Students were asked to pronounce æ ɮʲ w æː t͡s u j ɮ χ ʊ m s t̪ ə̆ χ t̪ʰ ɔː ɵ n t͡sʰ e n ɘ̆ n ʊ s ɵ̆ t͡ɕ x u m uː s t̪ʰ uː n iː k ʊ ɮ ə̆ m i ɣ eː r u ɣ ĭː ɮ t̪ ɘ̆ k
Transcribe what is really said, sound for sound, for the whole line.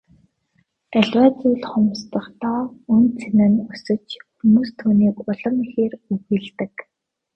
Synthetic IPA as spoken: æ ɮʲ w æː t͡s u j ɮ χ ʊ m s t̪ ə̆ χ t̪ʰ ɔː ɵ n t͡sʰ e n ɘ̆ n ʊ s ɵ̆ t͡ɕ x u m uː s t̪ʰ uː n iː k ʊ ɮ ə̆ m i x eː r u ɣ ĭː ɮ t̪ ɘ̆ k

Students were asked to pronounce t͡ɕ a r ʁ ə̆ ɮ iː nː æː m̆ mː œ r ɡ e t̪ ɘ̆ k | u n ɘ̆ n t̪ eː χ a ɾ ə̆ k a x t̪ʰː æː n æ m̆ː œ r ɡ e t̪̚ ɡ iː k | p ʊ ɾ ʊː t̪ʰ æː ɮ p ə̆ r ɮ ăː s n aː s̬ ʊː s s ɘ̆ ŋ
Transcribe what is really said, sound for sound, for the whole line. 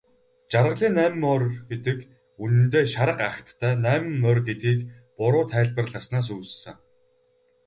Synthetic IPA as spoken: t͡ɕ a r ʁ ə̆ ɮ iː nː æː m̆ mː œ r ɡ e t̪ ɘ̆ k | u n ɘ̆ n t̪ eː ʃ a ɾ ə̆ q a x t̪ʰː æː n æː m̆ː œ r ɡ e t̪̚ ɡ iː k | p ʊ ɾ ʊː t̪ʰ æː ɮ p ə̆ r ɮ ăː s n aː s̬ uː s s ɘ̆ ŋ

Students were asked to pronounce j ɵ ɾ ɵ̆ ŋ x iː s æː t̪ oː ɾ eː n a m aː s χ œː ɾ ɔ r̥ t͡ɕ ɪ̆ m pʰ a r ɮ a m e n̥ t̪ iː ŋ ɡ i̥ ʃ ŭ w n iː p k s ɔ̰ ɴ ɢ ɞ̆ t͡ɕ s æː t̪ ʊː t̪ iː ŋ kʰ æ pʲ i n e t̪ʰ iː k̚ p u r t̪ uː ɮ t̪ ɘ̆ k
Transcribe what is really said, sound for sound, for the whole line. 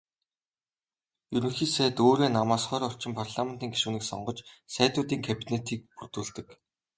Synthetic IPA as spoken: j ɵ ɾ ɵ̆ ŋ x iː s æː t̪ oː ɾ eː n a m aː s χ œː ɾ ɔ r̥ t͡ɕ ɪ̆ m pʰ a r ɮ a m e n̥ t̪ iː ŋ ɡ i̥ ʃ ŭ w n iː k s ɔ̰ ɴ ɢ ɞ̆ t͡ɕ s æː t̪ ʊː t̪ iː ŋ kʰ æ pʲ i n e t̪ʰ iː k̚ p u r t̪ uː ɮ t̪ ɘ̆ k

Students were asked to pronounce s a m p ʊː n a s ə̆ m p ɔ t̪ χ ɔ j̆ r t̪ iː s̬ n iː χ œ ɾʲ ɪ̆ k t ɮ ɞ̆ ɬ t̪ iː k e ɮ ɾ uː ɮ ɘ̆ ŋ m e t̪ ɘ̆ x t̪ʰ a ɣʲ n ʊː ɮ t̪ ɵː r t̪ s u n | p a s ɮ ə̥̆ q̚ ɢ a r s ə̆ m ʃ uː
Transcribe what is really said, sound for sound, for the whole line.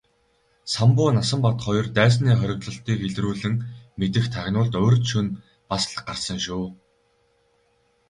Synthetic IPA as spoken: s a m p ʊː n a s ə̆ m p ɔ t̪ χ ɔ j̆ r t̪ æː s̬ n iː χ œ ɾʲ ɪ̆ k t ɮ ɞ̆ ɬ t̪ iː k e ɮ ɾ uː ɮ ɘ̆ ŋ m e t̪ ɘ̆ x t̪ʰ a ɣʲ n ʊː ɮ t̪ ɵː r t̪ ʃ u n | p a s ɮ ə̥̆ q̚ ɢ a r s ə̆ ŋ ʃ uː

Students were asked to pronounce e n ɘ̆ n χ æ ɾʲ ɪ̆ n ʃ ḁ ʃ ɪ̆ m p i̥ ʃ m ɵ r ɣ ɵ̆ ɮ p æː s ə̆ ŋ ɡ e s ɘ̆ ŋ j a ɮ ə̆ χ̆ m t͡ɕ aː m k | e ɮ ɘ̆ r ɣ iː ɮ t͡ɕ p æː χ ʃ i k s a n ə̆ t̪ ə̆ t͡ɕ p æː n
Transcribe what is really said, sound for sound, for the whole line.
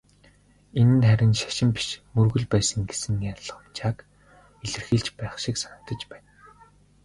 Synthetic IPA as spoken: e n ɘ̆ n χ æ ɾʲ ɪ̆ n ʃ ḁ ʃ ɪ̆ m p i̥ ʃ m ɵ r ɣ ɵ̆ ɮ p æː s ə̆ ŋ ɡ e s ɘ̆ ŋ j a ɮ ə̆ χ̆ m t͡ɕ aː k | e ɮ ɘ̆ r x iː ɮ t͡ɕ p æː χ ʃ i k s a n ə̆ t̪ ə̆ t͡ɕ p æː n

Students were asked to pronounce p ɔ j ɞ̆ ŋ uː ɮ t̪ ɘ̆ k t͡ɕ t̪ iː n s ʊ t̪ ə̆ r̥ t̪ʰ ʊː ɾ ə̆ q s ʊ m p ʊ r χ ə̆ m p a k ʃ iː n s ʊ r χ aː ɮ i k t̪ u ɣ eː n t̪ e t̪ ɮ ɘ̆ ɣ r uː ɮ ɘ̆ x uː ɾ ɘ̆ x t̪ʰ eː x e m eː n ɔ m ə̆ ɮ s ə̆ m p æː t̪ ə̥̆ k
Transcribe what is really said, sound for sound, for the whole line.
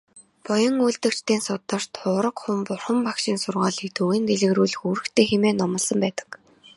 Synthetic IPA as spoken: p ɔ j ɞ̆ ŋ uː ɮ t̪ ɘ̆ k t͡ɕ t̪ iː n s ʊ t̪ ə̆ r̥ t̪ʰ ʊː ɾ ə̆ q χ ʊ m p ʊ r χ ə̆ m p a k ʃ iː n s ʊ r ʁ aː ɮ i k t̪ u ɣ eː n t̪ e ɮ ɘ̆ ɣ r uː ɮ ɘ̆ x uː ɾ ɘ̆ x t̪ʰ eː x e m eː n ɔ m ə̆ ɮ s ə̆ m p æː t̪ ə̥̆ k

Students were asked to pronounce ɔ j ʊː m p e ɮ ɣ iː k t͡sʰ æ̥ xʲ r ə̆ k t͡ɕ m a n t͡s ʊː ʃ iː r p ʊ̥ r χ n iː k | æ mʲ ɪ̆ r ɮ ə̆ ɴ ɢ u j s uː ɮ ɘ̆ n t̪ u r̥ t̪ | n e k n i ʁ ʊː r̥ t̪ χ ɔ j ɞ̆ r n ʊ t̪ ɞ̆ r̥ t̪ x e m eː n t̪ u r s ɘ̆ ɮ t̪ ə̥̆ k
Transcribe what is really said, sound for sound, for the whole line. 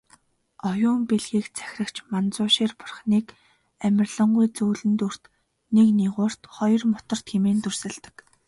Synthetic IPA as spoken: ɔ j ʊː m p e ɮ ɣ iː k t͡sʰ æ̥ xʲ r ə̆ k t͡ɕ m a n t͡s ʊː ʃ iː r p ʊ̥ r χ n iː k | æ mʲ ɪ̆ r ɮ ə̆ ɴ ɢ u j t͡s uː ɮ ɘ̆ n t̪ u r̥ t̪ | n e k n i ʁ ʊː r̥ t̪ χ ɔ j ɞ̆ r m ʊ t̪ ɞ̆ r̥ t̪ x e m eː n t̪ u r s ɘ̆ ɮ t̪ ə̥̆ k

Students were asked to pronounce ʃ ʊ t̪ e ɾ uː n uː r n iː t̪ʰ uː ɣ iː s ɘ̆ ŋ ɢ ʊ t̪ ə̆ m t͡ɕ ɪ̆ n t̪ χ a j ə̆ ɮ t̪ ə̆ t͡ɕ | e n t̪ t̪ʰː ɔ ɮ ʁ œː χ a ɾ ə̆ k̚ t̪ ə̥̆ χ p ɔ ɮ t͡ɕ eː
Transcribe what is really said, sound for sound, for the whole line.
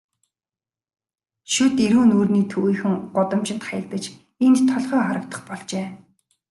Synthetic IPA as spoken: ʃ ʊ t̪ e ɾ uː n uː r n iː t̪ʰ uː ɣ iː x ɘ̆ ŋ ɢ ʊ t̪ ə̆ m t͡ɕ ɪ̆ n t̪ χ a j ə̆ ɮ t̪ ə̆ t͡ɕ | e n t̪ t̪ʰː ɔ ɮ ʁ œː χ a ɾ ə̆ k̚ t̪ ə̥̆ χ p ɔ ɮ t͡ɕ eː

